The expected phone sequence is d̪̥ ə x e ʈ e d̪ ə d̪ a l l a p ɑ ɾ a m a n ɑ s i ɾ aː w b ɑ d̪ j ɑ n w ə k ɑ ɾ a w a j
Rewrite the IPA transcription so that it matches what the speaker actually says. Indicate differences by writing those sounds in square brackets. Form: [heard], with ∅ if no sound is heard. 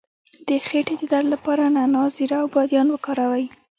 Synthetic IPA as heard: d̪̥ ə x e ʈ e d̪ ə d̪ a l l a p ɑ ɾ a [n] a n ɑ [z] i ɾ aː w b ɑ d̪ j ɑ n w ə k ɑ ɾ a w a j